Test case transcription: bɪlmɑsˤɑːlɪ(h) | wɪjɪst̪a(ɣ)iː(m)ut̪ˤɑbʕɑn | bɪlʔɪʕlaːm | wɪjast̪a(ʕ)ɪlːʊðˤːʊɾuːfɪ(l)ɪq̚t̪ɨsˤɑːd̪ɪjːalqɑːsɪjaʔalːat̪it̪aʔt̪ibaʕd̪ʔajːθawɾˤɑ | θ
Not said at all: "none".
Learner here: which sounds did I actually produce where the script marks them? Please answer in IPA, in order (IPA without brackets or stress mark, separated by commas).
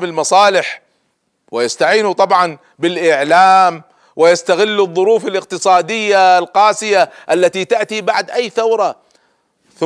ħ, ʕ, n, ɣ, l